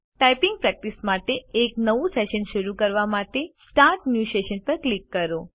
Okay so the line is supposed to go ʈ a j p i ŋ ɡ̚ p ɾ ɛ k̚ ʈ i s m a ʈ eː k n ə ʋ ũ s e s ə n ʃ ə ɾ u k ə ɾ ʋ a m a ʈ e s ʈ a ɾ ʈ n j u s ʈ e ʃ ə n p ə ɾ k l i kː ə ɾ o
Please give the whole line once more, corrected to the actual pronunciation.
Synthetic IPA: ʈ a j p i ŋ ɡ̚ p ɾ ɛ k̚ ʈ i s m a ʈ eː k n ə ʋ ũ s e ʃ ə n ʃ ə ɾ u k ə ɾ ʋ a m a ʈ e s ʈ a ɾ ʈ n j u s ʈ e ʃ ə n p ə ɾ k l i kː ə ɾ o

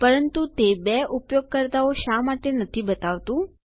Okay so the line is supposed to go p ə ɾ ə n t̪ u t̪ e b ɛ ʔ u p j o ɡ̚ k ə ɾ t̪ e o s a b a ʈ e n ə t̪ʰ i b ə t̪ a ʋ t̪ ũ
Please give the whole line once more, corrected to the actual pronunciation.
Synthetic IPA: p ə ɾ ə n t̪ u t̪ e b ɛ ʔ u p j o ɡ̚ k ə ɾ t̪ a o ʃ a m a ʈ e n ə t̪ʰ i b ə t̪ a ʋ t̪ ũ

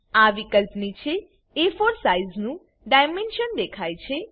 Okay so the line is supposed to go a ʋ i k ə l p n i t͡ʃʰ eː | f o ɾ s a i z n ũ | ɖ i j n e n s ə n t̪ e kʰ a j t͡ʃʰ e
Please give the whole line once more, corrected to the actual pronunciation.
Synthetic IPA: a ʋ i k ə l p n i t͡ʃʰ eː | f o ɾ s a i z n ũ | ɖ a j m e n ʃ ə n d̪ e kʰ a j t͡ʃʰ e

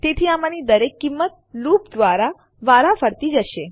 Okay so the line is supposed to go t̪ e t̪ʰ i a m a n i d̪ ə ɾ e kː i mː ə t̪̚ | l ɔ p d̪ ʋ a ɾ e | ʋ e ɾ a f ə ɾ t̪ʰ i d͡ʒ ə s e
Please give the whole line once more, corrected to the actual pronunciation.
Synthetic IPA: t̪ e t̪ʰ i a m a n i d̪ ə ɾ e kː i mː ə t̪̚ | l u p d̪ ʋ a ɾ a | ʋ a ɾ a f ə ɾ t̪ i d͡ʒ ə ʃ e

